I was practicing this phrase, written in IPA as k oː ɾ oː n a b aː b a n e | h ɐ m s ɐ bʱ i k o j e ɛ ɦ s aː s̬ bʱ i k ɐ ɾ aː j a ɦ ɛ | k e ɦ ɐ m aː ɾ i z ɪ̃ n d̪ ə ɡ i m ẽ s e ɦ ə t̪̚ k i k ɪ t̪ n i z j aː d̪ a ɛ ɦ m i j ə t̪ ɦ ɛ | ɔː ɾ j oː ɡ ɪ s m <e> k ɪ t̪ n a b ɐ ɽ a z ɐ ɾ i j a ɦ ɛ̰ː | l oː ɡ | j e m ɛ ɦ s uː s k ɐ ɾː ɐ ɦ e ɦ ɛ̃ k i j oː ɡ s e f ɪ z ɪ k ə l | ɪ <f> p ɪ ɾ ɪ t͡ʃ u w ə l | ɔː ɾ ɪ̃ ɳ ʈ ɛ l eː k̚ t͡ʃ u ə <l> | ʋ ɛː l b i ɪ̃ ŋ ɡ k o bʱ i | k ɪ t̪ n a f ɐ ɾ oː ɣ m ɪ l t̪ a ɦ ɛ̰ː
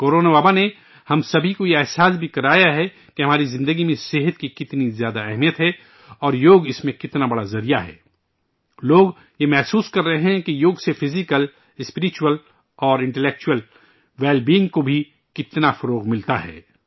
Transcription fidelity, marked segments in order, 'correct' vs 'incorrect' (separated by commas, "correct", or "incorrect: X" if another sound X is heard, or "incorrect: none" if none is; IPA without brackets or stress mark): incorrect: ẽ, incorrect: s, correct